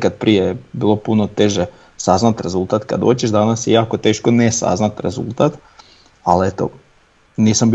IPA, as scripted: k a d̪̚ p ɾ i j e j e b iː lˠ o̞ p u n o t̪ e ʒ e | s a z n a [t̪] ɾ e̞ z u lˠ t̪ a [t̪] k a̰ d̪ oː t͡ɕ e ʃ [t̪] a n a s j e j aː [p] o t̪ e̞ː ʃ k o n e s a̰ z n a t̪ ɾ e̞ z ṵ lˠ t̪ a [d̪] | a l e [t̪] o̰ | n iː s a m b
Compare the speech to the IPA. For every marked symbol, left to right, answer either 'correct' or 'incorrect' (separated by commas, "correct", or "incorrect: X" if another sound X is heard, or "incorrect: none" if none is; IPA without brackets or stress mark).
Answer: correct, correct, incorrect: d̪, incorrect: k, incorrect: t̪, correct